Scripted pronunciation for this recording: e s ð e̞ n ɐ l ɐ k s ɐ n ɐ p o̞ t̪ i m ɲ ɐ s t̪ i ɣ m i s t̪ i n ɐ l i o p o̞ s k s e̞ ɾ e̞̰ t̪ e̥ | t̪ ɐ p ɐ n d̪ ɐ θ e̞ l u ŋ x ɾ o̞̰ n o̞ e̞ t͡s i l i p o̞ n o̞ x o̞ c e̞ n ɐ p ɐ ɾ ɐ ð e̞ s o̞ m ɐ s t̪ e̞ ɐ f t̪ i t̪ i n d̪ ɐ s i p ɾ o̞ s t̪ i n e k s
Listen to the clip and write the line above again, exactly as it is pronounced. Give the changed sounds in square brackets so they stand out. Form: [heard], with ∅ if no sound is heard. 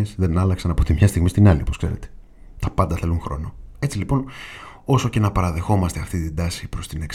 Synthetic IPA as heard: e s ð e̞ n ɐ l ɐ k s ɐ n ɐ p o̞ t̪ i m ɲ ɐ s t̪ i ɣ m i s t̪ i n ɐ l i o p o̞ s k s e̞ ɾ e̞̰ t̪ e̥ | t̪ ɐ p ɐ n d̪ ɐ θ e̞ l u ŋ x ɾ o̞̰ n o̞ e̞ t͡s i l i p o̞ n o̞ [s] o̞ c e̞ n ɐ p ɐ ɾ ɐ ð e̞ [x] o̞ m ɐ s t̪ e̞ ɐ f t̪ i t̪ i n d̪ ɐ s i p ɾ o̞ s t̪ i n e k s